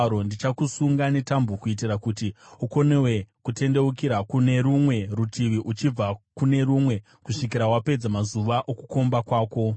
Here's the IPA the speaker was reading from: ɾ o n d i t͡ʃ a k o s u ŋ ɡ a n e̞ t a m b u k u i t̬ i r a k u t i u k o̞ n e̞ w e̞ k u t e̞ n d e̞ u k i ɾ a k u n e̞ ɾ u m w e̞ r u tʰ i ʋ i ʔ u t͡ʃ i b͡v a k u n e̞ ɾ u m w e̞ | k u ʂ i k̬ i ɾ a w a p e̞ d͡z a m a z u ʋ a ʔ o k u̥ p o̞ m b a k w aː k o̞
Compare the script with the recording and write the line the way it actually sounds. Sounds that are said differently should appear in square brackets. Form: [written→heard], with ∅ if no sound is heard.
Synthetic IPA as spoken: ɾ o n d i t͡ʃ a k [o→u] s u ŋ ɡ a n e̞ t a m b u k u i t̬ i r a k u t i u k o̞ n e̞ w e̞ k u t e̞ n d e̞ u k i ɾ a k u n e̞ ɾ u m w e̞ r u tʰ i ʋ i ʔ u t͡ʃ i b͡v a k u n e̞ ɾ u m w e̞ | k u ʂ i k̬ i ɾ a w a p e̞ d͡z a m a z u ʋ a ʔ o k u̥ [p→k] o̞ m b a k w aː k o̞